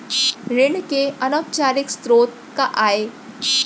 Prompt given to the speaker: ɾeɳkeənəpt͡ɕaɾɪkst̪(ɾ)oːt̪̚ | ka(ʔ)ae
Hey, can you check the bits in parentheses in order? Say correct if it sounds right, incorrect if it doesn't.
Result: correct, correct

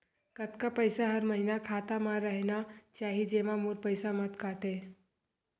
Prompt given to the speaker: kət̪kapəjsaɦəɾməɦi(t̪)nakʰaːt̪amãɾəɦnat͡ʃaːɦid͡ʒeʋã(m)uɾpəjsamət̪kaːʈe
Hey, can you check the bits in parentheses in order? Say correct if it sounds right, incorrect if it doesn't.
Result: incorrect: none, correct

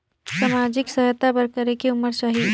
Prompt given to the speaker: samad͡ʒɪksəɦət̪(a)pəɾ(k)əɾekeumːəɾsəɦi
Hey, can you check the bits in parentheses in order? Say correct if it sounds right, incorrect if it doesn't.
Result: correct, correct

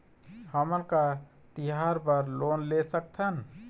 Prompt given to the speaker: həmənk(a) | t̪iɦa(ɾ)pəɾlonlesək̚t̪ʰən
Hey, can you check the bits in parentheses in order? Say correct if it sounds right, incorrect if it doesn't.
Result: correct, correct

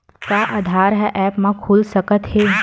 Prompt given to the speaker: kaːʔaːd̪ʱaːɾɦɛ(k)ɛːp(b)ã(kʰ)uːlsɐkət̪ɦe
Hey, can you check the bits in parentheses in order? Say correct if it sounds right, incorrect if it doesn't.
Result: incorrect: ʔ, incorrect: m, correct

